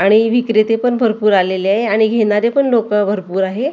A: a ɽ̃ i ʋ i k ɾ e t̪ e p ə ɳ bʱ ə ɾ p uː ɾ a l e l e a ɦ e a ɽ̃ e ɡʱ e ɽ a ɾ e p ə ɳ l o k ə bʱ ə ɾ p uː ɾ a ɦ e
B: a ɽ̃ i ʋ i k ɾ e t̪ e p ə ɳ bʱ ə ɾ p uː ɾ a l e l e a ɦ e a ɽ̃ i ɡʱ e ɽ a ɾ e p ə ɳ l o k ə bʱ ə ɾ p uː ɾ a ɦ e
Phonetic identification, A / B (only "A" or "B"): B